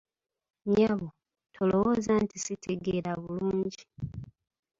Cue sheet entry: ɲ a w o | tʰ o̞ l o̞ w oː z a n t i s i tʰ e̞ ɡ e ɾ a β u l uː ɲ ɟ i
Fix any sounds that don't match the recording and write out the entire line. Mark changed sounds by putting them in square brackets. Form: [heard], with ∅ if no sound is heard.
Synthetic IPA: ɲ a [β] o | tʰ o̞ l o̞ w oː z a n t i s i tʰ e̞ ɡ e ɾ a β u l uː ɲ ɟ i